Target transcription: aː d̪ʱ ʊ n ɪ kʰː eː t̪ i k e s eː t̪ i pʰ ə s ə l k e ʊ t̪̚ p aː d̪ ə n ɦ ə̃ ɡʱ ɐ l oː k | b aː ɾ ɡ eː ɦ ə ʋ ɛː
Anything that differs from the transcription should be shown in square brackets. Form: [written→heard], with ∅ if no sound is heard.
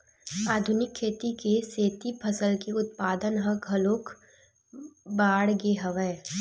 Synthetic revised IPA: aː d̪ʱ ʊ n ɪ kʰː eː t̪ i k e s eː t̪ i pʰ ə s ə l k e ʊ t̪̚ p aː d̪ ə n ɦ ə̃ ɡʱ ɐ l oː k | b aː [ɾ→ɽ] ɡ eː ɦ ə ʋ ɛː